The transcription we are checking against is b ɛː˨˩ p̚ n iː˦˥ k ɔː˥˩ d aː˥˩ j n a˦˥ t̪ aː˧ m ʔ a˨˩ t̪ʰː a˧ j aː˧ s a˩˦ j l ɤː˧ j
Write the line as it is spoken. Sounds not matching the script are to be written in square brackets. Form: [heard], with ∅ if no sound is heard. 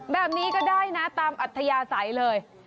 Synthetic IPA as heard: b ɛː˨˩ p̚ n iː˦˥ k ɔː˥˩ d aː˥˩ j n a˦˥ t̪ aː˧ m ʔ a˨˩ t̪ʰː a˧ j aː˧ s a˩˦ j l ɤː˧ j